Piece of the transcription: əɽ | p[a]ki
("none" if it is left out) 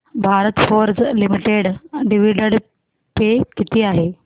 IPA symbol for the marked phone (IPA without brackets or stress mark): e